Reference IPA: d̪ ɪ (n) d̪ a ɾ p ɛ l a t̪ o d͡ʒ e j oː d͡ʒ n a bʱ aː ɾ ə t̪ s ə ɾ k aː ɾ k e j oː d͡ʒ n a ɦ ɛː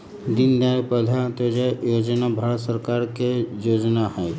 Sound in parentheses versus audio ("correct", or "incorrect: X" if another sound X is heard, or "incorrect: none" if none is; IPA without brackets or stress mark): correct